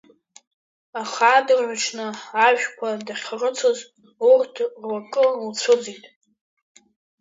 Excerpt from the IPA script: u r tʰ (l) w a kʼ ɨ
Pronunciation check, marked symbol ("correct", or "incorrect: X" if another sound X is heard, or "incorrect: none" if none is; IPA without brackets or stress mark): incorrect: r